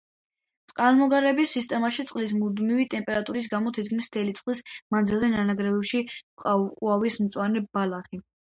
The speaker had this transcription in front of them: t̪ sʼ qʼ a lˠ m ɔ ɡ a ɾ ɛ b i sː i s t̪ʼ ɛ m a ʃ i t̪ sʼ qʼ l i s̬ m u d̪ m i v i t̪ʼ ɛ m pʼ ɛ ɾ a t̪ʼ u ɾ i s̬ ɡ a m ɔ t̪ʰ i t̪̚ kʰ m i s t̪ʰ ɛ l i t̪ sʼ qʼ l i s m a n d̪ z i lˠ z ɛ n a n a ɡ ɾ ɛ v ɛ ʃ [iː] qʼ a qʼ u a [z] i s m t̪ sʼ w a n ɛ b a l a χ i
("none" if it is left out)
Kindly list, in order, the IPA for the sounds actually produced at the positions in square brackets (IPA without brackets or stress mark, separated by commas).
i, v